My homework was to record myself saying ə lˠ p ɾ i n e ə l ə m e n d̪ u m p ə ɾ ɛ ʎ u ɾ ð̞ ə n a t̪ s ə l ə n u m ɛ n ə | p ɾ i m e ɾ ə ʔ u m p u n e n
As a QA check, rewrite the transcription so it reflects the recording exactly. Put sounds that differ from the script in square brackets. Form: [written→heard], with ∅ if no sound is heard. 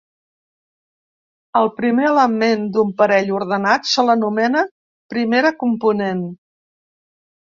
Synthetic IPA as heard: ə lˠ p ɾ i [n→m] e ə l ə m e n d̪ u m p ə ɾ ɛ ʎ u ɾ ð̞ ə n a t̪ s ə l ə n u m ɛ n ə | p ɾ i m e ɾ ə [ʔ→k] u m p u n e n